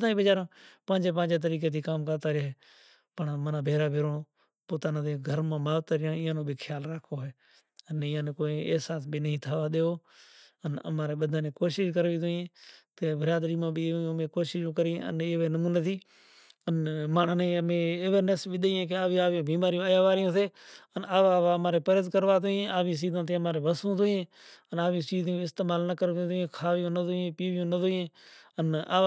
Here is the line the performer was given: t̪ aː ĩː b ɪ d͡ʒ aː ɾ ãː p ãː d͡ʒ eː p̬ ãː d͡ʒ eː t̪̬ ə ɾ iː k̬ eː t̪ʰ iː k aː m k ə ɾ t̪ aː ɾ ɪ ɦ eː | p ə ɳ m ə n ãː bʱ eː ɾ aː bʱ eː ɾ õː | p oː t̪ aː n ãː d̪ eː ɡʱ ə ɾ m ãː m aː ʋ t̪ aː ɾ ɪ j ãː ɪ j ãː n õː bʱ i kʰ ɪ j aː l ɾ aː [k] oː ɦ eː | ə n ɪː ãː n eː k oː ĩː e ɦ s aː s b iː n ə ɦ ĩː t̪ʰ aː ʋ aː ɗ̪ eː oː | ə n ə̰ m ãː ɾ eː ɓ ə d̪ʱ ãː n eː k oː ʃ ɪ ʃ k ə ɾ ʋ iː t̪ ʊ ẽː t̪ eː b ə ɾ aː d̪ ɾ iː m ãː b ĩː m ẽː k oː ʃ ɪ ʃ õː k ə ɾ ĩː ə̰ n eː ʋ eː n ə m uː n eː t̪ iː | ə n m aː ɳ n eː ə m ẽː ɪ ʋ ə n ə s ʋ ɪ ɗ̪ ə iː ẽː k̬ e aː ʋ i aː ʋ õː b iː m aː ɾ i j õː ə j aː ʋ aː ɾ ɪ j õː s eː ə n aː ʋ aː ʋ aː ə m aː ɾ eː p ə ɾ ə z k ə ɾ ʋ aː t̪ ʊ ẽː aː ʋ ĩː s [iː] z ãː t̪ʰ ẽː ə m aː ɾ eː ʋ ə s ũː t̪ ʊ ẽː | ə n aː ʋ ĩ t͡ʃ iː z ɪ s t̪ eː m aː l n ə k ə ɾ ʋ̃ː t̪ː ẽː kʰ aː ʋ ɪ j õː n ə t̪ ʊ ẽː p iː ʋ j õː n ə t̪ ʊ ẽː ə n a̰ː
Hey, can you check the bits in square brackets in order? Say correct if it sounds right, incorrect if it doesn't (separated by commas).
incorrect, correct